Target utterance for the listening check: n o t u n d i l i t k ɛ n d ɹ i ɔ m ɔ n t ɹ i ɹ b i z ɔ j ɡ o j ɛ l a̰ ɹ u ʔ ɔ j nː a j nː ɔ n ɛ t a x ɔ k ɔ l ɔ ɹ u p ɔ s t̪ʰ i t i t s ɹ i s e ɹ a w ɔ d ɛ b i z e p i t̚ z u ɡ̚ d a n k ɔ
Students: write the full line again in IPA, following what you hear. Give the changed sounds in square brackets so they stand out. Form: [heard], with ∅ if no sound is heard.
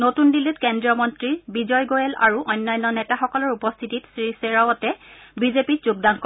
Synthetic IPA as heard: n o t u n d i l i t k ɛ n d ɹ i ɔ m ɔ n t ɹ i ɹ b i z ɔ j ɡ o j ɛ l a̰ ɹ u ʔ ɔ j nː a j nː ɔ n ɛ t a x ɔ k ɔ l ɔ ɹ u p ɔ s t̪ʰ i t i t s ɹ i s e ɹ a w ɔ [t] ɛ b i z e p i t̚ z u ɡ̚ d a n k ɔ